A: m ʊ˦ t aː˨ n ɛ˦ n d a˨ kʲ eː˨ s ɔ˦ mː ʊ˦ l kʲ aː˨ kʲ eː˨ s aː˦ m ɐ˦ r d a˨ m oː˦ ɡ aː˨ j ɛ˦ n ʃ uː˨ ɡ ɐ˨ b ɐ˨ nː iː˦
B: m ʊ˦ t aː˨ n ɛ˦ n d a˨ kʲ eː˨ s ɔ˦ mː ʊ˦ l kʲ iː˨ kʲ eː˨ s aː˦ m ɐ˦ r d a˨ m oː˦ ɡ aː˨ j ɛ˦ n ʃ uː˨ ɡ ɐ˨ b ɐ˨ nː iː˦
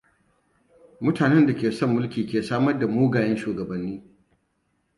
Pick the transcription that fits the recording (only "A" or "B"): B